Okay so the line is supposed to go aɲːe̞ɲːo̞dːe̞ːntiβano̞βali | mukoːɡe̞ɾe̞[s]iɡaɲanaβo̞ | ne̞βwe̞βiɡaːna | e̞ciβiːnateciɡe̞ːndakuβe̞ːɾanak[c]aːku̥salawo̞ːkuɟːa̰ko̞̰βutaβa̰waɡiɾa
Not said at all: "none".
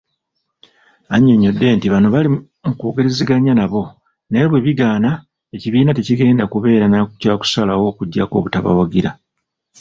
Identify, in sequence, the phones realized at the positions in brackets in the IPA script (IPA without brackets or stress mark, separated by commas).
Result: z, c